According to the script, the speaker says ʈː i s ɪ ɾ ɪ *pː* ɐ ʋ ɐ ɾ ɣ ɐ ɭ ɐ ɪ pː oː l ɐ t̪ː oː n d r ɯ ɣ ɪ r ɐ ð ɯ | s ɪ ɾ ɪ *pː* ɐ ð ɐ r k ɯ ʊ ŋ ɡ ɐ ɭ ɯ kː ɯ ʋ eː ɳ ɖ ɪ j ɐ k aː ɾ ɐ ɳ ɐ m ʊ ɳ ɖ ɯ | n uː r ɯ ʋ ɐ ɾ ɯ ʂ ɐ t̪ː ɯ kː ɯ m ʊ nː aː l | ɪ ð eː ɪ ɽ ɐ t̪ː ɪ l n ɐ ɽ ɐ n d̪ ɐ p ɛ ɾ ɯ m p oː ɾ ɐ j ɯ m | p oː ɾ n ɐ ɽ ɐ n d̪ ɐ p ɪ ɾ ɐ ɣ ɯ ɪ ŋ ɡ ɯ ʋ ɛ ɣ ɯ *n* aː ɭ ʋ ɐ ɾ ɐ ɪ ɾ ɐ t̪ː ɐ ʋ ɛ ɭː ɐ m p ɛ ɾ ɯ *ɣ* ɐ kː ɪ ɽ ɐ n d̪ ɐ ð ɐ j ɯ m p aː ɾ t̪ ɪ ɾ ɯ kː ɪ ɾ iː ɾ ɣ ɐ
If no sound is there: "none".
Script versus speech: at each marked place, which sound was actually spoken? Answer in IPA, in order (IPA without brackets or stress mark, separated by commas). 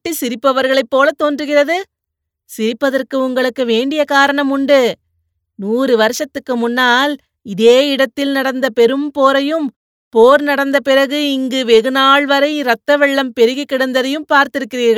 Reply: pː, pː, n, ɣ